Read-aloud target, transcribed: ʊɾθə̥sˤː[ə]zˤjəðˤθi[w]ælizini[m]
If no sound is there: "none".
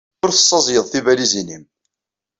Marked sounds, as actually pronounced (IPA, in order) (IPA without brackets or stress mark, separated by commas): ɑ, v, m